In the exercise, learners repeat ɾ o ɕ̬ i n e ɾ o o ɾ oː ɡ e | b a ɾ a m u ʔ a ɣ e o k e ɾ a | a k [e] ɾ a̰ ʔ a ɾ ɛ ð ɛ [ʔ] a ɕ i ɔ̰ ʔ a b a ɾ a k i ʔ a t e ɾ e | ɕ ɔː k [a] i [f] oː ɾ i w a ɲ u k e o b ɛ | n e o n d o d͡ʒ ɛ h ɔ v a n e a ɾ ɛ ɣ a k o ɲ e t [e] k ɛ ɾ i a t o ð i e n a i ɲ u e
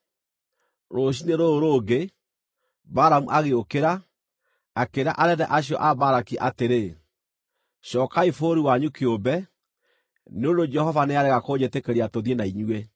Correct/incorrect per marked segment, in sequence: correct, correct, correct, correct, correct

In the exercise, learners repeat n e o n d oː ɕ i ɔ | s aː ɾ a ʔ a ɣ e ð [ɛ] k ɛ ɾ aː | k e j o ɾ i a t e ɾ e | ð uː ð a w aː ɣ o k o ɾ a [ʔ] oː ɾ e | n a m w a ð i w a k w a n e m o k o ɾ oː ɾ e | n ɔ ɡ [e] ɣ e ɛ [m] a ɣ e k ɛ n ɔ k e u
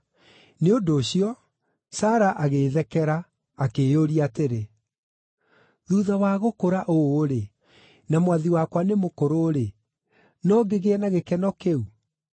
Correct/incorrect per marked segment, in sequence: correct, correct, correct, incorrect: n

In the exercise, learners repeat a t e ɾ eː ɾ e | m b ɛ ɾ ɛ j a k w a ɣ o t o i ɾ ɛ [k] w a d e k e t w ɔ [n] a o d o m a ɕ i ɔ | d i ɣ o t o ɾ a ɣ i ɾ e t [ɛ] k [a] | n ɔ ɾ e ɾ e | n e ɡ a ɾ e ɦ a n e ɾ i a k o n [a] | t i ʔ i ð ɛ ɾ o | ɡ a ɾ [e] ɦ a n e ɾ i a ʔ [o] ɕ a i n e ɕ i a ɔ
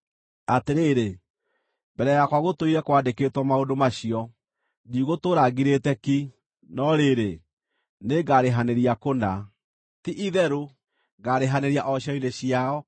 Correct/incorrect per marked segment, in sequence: correct, incorrect: m, correct, incorrect: i, correct, correct, incorrect: ɔ

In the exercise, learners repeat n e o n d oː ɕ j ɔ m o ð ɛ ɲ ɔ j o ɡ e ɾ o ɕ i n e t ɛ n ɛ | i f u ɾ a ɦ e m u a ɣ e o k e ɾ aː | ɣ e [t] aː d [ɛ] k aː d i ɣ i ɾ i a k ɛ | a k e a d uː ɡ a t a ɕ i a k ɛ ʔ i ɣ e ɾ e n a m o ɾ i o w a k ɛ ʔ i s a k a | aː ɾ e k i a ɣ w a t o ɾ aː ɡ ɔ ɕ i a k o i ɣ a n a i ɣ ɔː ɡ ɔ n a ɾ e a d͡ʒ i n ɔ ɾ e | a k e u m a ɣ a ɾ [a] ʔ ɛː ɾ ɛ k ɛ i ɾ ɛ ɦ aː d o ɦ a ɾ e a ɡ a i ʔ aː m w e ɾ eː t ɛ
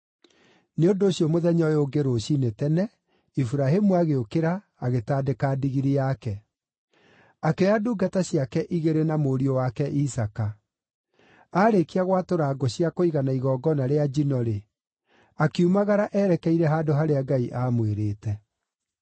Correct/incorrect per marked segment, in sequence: correct, incorrect: e, correct

